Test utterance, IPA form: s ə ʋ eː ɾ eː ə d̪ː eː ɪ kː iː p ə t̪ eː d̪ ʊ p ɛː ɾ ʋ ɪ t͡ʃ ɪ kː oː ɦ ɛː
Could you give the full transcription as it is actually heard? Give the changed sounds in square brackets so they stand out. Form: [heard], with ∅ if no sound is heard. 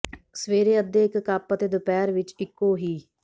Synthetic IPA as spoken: s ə ʋ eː ɾ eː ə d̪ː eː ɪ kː [aː] p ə t̪ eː d̪ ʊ p ɛː ɾ ʋ ɪ t͡ʃ ɪ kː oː ɦ [iː]

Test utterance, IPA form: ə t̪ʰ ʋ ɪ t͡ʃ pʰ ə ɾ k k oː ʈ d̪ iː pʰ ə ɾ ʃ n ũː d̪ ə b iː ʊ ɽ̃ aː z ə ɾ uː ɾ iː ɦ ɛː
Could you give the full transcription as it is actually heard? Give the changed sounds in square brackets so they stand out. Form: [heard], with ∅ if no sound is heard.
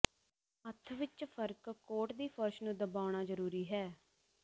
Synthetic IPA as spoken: ə t̪ʰ ʋ ɪ t͡ʃ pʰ ə ɾ k k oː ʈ d̪ iː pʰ ə ɾ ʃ n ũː d̪ ə b [aː] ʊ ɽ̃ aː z ə ɾ uː ɾ iː ɦ ɛː

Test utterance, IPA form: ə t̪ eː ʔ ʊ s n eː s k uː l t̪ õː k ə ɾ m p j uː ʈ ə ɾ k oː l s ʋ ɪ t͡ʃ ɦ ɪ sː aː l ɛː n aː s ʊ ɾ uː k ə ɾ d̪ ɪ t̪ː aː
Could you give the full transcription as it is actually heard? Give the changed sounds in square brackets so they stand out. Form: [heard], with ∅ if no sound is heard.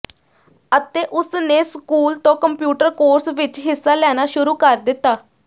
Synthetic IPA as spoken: ə t̪ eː ʔ ʊ s n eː s k uː l t̪ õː k ə [∅] m p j uː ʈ ə ɾ k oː [ɾ] s ʋ ɪ t͡ʃ ɦ ɪ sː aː l ɛː n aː [ʃ] ʊ ɾ uː k ə ɾ d̪ ɪ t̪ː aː

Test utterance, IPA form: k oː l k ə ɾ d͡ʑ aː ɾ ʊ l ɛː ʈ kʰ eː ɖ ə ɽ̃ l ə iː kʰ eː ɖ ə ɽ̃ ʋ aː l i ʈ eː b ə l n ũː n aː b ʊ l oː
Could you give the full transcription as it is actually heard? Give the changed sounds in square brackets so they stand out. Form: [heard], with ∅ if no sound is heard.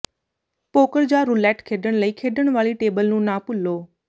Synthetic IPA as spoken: [p] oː [∅] k ə ɾ d͡ʑ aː ɾ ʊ l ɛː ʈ kʰ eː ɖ ə ɽ̃ l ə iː kʰ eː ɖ ə ɽ̃ ʋ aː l i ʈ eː b ə l n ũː n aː [p] ʊ l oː

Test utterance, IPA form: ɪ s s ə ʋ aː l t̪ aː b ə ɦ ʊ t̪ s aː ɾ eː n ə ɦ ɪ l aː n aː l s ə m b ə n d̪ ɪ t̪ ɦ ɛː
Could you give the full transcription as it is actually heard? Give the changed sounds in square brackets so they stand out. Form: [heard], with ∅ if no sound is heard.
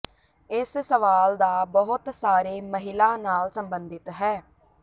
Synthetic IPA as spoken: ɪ s s ə ʋ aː l [d̪] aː b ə ɦ ʊ t̪ s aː ɾ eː [m] ə ɦ ɪ l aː n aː l s ə m b ə n d̪ ɪ t̪ ɦ ɛː

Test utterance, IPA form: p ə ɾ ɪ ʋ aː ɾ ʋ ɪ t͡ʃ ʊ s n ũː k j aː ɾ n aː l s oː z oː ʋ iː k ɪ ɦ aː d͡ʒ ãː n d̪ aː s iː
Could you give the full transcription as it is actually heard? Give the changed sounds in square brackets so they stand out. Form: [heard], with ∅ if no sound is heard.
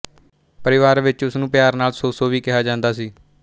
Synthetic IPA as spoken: p ə ɾ ɪ ʋ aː ɾ ʋ ɪ t͡ʃ ʊ s n ũː [p] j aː ɾ n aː l s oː [s] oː ʋ iː k ɪ ɦ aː d͡ʒ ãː n d̪ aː s iː

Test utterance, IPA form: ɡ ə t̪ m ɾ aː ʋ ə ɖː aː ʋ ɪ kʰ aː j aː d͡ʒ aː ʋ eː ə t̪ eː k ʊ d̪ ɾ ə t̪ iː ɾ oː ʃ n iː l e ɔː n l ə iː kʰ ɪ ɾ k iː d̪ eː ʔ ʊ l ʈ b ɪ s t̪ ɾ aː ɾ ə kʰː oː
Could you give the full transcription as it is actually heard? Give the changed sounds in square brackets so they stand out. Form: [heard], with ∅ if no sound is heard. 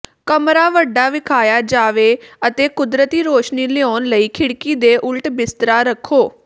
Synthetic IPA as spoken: [k] ə [∅] m ɾ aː ʋ ə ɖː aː ʋ ɪ kʰ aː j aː d͡ʒ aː ʋ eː ə t̪ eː k ʊ d̪ ɾ ə t̪ iː ɾ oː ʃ n iː l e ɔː n l ə iː kʰ ɪ [ɽ] k iː d̪ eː ʔ ʊ l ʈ b ɪ s t̪ ɾ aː ɾ ə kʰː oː

